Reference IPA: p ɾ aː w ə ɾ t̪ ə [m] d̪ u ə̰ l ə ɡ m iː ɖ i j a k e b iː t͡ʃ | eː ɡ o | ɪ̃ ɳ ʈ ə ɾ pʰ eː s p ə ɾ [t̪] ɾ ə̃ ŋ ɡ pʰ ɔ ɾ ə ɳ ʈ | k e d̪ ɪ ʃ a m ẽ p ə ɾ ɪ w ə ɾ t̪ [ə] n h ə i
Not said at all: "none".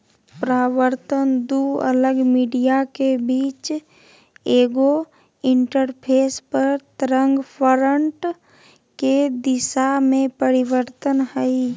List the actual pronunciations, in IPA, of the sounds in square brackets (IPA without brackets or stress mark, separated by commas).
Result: n, t̪, ə